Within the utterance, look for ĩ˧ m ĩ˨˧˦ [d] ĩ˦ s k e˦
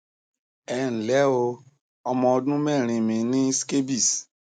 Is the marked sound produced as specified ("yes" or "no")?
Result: no